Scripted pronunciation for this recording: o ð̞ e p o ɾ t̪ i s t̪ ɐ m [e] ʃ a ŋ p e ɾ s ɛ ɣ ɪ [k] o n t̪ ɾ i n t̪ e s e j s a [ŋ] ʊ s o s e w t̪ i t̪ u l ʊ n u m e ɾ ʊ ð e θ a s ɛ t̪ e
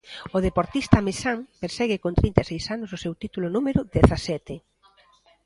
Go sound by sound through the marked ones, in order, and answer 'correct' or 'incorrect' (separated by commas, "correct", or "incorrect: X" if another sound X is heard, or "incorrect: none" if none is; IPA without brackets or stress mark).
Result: correct, correct, incorrect: n